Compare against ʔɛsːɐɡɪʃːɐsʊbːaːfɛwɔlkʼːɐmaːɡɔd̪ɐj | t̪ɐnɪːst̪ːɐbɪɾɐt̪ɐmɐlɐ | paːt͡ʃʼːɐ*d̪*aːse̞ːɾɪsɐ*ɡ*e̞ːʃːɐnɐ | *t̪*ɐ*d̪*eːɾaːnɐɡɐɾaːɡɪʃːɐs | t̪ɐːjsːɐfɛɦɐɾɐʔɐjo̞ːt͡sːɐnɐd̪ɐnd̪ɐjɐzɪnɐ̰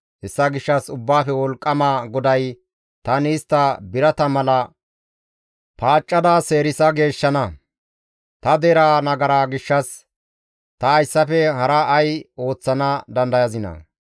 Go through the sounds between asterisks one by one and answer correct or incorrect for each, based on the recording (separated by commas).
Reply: correct, correct, correct, correct